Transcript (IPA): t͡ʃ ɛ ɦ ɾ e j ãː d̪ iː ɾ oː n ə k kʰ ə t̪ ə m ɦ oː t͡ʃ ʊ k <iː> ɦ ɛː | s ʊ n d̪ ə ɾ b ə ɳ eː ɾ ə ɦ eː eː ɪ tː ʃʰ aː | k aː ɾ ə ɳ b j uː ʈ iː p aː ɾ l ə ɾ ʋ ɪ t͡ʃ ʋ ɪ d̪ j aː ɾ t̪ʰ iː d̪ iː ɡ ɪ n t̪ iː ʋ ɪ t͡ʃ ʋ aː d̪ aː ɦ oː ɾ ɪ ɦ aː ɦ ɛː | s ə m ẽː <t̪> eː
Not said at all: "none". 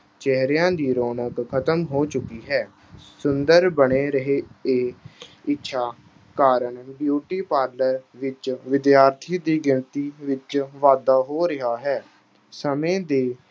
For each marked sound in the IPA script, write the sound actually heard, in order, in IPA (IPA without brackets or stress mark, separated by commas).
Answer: iː, d̪